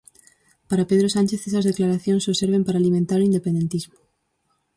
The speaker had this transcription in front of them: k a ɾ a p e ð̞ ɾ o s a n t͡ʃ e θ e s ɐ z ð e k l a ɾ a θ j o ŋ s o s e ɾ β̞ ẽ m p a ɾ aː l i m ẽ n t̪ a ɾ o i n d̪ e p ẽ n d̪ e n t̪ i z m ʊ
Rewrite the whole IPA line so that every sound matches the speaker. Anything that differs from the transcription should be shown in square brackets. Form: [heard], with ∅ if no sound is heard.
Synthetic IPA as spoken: [p] a ɾ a p e ð̞ ɾ o s a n t͡ʃ e θ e s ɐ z ð e k l a ɾ a θ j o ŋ s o s e ɾ β̞ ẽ m p a ɾ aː l i m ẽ n t̪ a ɾ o i n d̪ e p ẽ n d̪ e n t̪ i z m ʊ